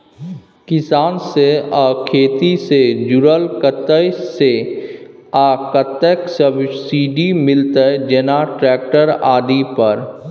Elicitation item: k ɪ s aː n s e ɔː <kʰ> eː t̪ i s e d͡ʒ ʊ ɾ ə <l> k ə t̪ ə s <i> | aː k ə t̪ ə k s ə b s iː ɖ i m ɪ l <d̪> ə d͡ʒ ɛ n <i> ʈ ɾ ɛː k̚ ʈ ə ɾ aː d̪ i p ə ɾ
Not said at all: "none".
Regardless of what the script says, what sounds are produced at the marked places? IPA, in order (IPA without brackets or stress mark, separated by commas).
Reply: kʰ, l, e, t̪, a